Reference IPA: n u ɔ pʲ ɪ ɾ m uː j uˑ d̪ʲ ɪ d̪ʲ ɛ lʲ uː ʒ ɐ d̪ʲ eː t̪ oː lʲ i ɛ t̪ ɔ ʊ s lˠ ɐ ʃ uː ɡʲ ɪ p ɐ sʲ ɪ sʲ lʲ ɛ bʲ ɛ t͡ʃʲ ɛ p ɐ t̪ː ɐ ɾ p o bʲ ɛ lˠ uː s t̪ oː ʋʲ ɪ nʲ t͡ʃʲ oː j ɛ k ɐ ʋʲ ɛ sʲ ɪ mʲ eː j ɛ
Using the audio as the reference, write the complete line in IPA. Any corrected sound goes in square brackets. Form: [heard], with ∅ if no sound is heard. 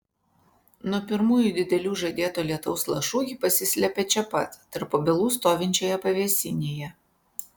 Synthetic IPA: n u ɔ pʲ ɪ ɾ m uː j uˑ d̪ʲ ɪ d̪ʲ ɛ lʲ uː ʒ ɐ d̪ʲ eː t̪ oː lʲ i ɛ t̪ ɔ ʊ s lˠ ɐ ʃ uː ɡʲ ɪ p ɐ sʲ ɪ sʲ lʲ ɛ [pʲ] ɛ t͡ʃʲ ɛ p ɐ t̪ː ɐ ɾ p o bʲ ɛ lˠ uː s t̪ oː ʋʲ ɪ nʲ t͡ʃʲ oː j ɛ [p] ɐ ʋʲ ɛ sʲ ɪ [nʲ] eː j ɛ